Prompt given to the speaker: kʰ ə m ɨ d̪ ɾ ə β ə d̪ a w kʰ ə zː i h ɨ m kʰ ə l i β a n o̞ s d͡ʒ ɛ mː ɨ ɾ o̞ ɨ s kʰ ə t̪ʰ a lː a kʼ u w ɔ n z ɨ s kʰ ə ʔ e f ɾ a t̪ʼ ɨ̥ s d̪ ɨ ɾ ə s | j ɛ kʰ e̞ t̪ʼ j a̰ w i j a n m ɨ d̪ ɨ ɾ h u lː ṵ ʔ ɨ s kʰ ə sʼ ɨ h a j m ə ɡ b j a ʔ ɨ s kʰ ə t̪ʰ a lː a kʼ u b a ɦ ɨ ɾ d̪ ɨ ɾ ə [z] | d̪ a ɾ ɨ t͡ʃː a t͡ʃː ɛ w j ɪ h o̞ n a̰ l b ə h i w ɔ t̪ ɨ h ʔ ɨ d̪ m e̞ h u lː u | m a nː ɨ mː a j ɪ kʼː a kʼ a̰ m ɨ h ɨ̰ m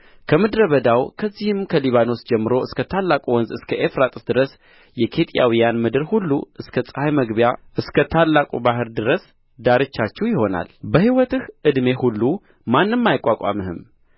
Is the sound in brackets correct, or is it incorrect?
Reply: incorrect